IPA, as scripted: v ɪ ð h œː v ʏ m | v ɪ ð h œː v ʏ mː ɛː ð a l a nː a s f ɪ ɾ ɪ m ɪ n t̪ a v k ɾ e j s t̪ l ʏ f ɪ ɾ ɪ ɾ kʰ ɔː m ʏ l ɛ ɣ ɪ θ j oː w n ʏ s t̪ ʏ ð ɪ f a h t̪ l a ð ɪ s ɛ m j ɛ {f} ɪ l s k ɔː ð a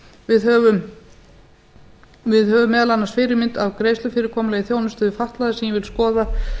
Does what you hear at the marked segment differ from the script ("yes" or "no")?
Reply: yes